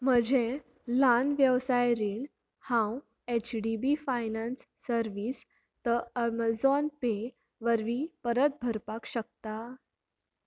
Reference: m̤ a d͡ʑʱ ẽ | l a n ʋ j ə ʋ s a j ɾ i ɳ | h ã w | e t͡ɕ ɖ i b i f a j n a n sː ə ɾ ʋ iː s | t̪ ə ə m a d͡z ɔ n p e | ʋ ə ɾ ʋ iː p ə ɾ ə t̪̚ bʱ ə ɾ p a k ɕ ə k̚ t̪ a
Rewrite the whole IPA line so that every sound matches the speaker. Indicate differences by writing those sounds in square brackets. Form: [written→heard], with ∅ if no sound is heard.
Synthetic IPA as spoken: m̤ [a→ə] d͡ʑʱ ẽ | l a n ʋ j ə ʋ s a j ɾ i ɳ | h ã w | e t͡ɕ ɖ i b i f a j n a n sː ə ɾ ʋ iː s | t̪ ə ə m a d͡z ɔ n p e | ʋ ə ɾ ʋ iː p ə ɾ ə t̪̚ bʱ ə ɾ p a k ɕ ə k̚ t̪ a